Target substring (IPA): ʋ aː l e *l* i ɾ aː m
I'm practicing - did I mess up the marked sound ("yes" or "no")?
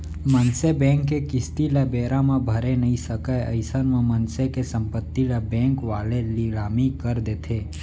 no